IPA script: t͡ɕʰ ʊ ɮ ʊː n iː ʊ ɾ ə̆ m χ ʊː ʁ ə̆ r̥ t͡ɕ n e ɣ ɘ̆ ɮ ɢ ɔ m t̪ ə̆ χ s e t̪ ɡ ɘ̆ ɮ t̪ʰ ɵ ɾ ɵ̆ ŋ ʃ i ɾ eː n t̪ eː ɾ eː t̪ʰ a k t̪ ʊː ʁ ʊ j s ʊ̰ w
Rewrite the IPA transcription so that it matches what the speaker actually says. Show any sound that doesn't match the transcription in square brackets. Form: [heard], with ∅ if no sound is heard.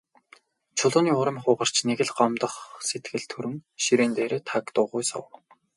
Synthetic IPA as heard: t͡ɕʰ ʊ ɮ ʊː n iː ʊ ɾ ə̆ m χ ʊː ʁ ə̆ r̥ t͡ɕ n e ɣ ɘ̆ ɮ ɢ ɔ m t̪ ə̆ χ s e t̪ ɡ ɘ̆ ɮ t̪ʰ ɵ ɾ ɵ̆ ŋ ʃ i ɾ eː n t̪ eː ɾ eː t̪ʰ a k t̪ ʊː ʁ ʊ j s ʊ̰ w